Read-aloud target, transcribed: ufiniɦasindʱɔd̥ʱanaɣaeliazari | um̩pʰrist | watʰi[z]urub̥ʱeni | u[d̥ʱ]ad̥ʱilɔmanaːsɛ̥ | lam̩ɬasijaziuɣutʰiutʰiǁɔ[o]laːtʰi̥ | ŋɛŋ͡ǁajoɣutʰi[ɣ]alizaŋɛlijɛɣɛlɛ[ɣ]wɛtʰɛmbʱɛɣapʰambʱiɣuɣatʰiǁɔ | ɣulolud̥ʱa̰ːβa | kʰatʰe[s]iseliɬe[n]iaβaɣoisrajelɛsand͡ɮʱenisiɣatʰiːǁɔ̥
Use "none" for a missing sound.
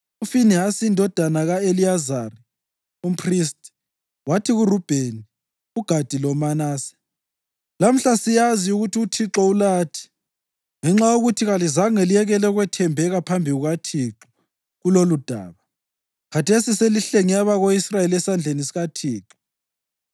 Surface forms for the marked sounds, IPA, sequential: ɣ, ɡ̥ʱ, u, ɣ, ɣ, s, ŋ

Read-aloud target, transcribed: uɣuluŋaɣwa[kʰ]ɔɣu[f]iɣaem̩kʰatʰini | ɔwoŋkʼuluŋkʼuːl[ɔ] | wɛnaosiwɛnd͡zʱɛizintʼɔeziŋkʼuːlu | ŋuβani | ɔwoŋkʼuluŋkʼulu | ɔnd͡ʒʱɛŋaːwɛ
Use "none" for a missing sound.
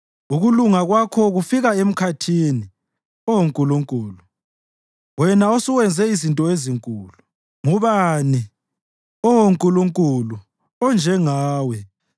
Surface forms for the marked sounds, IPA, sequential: kʰ, f, u

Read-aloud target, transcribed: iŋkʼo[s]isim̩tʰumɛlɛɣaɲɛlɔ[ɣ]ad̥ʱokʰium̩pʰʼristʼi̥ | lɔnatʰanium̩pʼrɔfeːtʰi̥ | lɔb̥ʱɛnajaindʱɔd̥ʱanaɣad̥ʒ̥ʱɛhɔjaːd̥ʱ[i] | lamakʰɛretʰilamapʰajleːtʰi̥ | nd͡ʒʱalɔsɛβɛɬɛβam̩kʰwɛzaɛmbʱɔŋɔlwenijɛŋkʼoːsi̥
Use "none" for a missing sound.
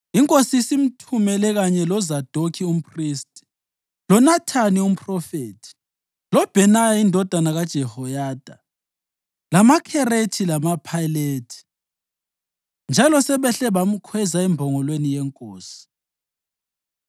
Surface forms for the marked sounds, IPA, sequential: s, z, a

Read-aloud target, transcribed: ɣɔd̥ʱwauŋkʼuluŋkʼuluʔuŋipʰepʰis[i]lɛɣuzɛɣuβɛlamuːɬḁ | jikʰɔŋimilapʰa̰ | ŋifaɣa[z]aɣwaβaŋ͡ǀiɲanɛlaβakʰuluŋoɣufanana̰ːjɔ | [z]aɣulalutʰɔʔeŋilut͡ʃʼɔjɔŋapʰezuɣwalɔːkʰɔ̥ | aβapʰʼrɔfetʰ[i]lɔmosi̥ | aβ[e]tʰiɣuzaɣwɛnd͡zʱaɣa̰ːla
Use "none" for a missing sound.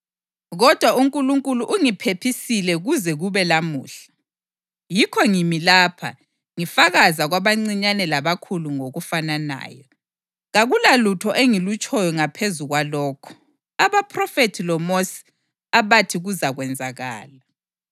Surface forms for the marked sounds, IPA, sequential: i, z, ɣ, i, a

